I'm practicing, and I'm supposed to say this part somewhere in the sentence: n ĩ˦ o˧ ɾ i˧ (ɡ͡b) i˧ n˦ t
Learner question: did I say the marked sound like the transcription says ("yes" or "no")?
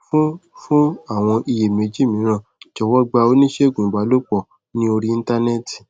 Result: no